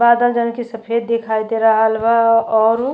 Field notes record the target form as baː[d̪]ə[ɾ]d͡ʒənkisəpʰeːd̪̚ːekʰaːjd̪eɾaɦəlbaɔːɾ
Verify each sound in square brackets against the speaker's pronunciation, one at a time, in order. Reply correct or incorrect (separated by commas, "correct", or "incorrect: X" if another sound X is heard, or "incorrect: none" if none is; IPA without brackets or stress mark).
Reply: correct, incorrect: l